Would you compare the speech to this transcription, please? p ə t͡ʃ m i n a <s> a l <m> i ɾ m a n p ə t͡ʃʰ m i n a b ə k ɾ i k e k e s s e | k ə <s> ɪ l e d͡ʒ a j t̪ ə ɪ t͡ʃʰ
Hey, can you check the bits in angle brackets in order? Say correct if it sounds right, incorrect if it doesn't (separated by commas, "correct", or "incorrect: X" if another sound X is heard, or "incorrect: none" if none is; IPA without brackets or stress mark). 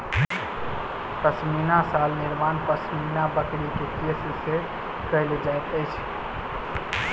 correct, incorrect: n, incorrect: none